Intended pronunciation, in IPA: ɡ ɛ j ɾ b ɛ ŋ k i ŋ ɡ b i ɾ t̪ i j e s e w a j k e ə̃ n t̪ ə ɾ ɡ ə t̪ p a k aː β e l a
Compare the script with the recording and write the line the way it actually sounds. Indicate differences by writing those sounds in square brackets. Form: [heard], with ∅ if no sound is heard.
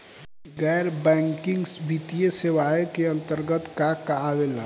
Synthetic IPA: ɡ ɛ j ɾ b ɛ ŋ k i ŋ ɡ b i [∅] t̪ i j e s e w a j k e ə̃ n t̪ ə ɾ ɡ ə t̪ [k] a k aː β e l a